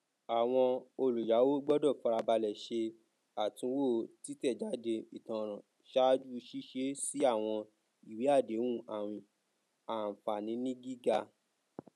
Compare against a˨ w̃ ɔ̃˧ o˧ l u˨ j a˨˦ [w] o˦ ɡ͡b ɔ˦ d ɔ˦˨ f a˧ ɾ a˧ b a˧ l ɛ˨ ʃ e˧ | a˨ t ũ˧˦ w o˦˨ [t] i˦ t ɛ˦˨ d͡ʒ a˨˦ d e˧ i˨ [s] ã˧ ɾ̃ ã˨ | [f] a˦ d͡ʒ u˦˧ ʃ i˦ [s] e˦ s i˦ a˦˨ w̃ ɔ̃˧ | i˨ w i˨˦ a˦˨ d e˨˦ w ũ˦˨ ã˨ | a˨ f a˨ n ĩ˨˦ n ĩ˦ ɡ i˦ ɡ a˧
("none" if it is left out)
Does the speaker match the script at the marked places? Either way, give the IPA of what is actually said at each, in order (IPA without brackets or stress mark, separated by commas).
w, t, t, ʃ, ʃ